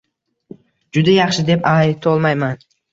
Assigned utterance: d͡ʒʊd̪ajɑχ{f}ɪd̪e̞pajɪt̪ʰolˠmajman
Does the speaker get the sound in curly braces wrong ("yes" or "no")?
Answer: yes